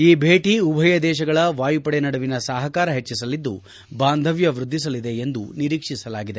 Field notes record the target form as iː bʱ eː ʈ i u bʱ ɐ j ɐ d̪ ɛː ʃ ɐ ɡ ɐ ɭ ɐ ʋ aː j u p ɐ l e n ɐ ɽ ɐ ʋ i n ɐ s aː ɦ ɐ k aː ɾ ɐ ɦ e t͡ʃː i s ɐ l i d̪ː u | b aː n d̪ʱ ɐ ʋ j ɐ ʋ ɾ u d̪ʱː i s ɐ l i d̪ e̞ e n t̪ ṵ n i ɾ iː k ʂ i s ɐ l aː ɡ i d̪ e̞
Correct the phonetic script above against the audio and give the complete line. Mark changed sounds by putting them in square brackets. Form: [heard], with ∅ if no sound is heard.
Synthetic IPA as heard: iː bʱ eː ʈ i u bʱ ɐ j ɐ d̪ ɛː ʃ ɐ ɡ ɐ ɭ ɐ ʋ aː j u p ɐ [ɽ] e n ɐ ɽ ɐ ʋ i n ɐ s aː ɦ ɐ k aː ɾ ɐ ɦ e t͡ʃː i s ɐ l i d̪ː u | b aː n d̪ʱ ɐ ʋ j ɐ ʋ ɾ u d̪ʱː i s ɐ l i d̪ e̞ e n [d̪] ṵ n i ɾ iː k ʂ i s ɐ l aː ɡ i d̪ e̞